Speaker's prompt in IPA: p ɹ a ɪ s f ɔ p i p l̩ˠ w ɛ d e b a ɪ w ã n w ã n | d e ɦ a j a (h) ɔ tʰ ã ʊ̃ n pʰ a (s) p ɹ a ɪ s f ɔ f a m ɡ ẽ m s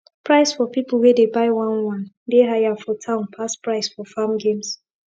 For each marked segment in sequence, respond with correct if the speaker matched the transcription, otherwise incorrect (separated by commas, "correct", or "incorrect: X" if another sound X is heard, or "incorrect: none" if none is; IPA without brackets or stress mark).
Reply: incorrect: f, correct